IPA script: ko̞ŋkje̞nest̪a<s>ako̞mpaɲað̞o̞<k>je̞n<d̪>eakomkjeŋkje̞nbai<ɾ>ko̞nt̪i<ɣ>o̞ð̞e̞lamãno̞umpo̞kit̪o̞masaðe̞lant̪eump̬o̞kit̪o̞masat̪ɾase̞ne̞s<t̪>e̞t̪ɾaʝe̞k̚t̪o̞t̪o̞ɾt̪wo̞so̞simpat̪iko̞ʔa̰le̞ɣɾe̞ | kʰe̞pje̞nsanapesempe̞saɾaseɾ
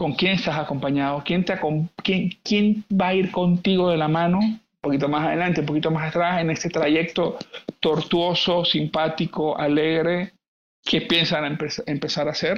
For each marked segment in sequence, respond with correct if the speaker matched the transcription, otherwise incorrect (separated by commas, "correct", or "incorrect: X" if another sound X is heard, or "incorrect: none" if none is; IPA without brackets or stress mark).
correct, correct, incorrect: t̪, correct, correct, correct